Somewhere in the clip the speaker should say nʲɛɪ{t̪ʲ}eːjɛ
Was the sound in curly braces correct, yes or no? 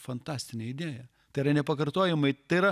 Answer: no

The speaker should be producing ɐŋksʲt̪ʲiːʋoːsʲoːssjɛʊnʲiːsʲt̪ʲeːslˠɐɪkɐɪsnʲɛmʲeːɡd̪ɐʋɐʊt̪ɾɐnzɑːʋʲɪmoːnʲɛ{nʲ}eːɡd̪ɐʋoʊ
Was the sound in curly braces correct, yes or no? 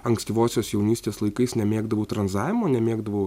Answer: no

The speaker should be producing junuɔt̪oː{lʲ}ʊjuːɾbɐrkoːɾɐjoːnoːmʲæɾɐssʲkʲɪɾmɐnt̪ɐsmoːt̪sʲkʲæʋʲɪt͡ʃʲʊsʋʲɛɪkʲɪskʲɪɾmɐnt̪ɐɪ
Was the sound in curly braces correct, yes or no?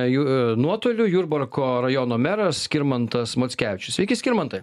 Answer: yes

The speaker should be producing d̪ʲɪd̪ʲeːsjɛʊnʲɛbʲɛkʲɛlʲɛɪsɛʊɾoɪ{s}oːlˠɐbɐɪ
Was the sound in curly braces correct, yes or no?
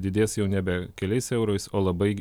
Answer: yes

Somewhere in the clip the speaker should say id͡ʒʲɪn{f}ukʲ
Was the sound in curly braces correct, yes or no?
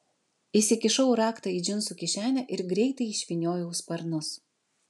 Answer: no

